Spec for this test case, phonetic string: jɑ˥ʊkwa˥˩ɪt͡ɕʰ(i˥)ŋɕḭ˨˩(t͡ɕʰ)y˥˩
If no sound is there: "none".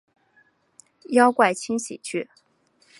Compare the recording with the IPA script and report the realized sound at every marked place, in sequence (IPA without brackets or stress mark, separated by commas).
i˥, t͡ɕʰ